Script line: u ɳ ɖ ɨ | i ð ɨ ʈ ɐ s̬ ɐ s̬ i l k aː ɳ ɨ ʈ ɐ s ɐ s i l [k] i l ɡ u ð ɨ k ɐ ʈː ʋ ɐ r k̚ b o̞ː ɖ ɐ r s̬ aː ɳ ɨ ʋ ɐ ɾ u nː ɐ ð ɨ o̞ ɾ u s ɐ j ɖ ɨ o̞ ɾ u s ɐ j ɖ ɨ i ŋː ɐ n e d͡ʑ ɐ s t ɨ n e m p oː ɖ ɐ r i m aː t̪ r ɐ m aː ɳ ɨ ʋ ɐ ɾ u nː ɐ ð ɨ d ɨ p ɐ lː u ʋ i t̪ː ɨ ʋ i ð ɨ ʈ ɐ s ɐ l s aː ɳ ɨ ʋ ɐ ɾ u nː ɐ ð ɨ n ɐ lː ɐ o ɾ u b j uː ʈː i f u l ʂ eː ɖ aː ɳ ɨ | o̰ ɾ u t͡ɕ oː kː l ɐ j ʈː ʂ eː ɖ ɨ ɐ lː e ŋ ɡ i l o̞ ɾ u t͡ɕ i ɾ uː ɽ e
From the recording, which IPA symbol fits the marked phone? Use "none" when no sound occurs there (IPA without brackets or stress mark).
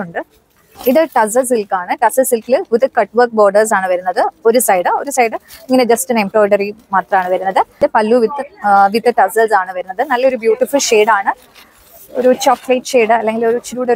k